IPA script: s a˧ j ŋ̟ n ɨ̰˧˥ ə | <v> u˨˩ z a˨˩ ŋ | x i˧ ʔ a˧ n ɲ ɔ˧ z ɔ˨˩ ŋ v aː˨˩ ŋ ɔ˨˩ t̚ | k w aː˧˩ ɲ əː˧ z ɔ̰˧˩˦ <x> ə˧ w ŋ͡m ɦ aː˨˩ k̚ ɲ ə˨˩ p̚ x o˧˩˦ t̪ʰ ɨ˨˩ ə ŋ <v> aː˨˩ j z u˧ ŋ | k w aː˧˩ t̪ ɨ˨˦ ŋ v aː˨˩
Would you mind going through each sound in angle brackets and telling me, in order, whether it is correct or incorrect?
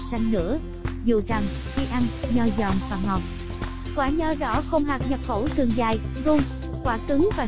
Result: incorrect: z, correct, incorrect: z

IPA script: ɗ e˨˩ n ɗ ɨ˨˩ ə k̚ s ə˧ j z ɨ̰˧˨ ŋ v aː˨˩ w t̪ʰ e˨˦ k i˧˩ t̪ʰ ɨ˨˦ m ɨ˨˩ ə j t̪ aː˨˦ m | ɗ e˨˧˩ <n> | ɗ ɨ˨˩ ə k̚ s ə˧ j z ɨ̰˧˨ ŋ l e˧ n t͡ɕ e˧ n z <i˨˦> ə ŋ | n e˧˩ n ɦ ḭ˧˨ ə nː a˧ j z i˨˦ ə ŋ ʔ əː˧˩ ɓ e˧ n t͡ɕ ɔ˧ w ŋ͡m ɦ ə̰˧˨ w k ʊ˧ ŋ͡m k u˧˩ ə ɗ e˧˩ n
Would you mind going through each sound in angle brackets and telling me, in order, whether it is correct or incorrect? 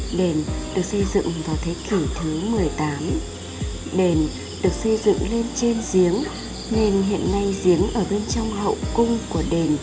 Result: correct, correct

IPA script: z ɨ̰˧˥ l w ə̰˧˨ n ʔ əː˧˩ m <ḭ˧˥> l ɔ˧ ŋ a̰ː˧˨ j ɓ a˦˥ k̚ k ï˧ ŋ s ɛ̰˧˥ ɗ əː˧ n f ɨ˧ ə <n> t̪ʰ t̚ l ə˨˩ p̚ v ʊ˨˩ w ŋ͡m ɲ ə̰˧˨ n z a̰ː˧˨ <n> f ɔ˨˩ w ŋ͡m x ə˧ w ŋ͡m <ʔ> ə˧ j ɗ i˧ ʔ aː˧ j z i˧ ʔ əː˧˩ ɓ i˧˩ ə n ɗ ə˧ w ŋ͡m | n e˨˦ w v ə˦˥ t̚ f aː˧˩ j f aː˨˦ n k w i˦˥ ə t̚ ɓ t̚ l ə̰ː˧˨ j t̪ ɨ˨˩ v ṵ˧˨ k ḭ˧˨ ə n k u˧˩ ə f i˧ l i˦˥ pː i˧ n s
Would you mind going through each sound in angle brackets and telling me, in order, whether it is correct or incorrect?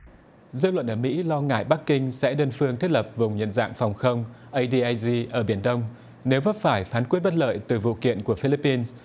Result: correct, incorrect: ŋ, incorrect: ŋ, correct

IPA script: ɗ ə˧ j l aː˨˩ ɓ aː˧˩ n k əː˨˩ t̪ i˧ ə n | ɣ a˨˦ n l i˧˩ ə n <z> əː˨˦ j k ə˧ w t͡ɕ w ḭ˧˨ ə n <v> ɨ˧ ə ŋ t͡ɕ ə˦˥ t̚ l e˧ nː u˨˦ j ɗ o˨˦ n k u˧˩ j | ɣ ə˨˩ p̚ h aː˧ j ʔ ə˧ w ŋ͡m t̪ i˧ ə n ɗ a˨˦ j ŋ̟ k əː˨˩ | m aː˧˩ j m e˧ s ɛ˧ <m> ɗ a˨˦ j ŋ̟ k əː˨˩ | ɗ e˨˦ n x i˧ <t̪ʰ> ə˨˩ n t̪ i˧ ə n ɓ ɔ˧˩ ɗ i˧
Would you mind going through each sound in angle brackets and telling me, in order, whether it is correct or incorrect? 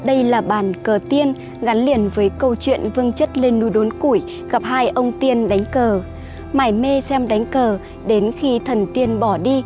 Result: incorrect: v, correct, correct, correct

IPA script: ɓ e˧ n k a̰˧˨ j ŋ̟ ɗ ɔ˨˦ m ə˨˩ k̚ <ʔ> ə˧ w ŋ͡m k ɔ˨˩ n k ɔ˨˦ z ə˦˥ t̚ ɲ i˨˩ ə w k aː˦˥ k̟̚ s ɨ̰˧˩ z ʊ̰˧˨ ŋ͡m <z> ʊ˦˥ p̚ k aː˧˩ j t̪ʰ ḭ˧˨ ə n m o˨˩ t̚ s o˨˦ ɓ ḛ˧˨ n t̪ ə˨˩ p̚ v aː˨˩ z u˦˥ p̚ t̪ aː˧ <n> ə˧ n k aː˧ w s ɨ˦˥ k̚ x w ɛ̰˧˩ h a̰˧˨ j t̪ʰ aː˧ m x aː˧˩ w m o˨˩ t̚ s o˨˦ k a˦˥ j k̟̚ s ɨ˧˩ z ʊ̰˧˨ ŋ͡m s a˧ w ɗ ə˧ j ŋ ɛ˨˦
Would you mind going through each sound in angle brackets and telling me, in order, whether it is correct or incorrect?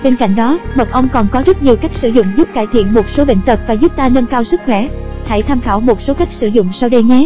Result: correct, correct, correct

